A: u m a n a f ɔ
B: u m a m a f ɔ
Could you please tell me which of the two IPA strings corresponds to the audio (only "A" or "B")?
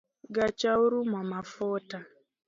B